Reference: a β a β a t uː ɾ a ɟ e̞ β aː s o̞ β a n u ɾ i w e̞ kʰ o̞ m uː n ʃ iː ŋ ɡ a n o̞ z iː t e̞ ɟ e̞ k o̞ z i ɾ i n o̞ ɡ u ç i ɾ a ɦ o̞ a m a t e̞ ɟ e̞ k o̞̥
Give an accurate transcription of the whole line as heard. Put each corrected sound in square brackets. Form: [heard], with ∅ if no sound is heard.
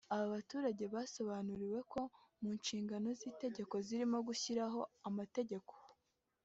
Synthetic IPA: a β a β a t uː ɾ a ɟ e̞ β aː s o̞ β a n u ɾ i w e̞ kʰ o̞ m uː n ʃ iː ŋ ɡ a n o̞ z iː t e̞ ɟ e̞ k o̞ z i ɾ i [m] o̞ ɡ u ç i ɾ a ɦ o̞ a m a t e̞ ɟ e̞ k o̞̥